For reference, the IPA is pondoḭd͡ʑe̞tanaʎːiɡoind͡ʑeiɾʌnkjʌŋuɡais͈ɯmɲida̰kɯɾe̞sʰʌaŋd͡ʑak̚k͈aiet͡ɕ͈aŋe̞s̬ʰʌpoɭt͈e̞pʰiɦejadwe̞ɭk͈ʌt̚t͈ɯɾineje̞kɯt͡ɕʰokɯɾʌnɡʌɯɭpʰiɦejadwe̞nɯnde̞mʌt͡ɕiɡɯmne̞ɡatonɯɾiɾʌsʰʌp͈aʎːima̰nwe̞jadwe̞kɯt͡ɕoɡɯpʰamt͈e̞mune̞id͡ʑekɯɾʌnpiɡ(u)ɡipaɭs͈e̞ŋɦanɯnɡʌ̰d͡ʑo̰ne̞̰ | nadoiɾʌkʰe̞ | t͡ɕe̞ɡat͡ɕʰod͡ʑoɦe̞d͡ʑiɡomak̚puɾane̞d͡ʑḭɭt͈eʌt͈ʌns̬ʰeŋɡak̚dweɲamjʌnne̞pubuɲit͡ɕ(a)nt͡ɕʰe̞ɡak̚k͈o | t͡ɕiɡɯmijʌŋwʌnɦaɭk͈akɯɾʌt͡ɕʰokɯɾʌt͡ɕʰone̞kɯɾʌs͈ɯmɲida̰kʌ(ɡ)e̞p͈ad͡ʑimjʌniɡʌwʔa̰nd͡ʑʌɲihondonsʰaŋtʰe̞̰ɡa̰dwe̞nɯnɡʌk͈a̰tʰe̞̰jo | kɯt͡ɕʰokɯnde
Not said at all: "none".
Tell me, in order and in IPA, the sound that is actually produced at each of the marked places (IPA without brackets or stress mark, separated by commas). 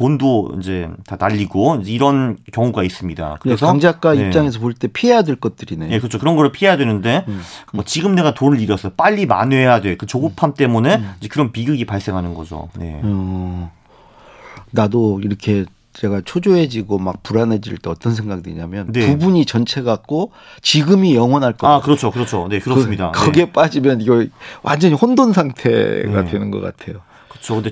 ɯ, ʌ, ɡ